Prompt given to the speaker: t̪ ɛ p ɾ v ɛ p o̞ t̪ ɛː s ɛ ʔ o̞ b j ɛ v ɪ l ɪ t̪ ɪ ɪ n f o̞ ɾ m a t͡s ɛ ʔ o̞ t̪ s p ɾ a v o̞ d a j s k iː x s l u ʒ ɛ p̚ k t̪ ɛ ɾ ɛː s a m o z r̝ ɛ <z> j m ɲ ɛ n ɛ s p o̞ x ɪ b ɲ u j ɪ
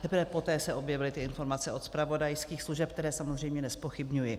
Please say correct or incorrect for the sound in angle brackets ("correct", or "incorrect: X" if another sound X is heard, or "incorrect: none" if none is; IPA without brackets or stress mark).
incorrect: none